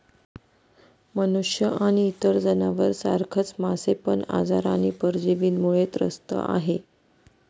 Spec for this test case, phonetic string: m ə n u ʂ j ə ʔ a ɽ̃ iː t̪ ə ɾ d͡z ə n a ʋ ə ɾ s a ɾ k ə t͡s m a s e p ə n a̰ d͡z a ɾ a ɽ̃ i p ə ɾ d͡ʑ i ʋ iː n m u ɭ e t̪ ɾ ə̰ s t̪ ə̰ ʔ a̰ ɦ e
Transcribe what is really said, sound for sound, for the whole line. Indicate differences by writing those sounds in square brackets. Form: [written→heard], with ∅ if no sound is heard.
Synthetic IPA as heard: m ə n u ʂ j ə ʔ a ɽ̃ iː t̪ ə ɾ d͡z ə n a ʋ ə ɾ s a ɾ [k→kʰ] ə t͡s m a s e p ə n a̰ d͡z a ɾ a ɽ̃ i p ə ɾ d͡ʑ i ʋ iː n m u ɭ e t̪ ɾ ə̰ s t̪ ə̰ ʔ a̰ ɦ e

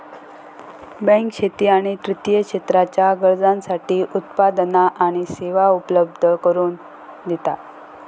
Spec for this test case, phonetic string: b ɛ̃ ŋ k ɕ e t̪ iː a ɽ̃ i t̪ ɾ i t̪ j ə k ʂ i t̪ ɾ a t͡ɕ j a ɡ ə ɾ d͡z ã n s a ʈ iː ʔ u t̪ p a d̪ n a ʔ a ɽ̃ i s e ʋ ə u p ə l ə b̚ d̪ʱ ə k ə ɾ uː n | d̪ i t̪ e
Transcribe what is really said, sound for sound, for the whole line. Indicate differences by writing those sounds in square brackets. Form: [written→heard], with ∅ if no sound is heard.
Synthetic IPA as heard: b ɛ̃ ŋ k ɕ e t̪ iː a ɽ̃ i t̪ ɾ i t̪ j ə k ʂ [i→e] t̪ ɾ a t͡ɕ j a ɡ ə ɾ d͡z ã n s a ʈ iː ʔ u t̪ p a d̪ n a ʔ a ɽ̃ i s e ʋ [ə→a] u p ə l ə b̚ d̪ʱ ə k ə ɾ uː n | d̪ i t̪ [e→a]

